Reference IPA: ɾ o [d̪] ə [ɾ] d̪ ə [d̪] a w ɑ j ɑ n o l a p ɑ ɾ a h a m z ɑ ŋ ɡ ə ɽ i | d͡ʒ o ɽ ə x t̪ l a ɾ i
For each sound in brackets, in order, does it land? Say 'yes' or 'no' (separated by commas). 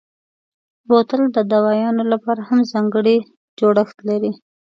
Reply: no, no, yes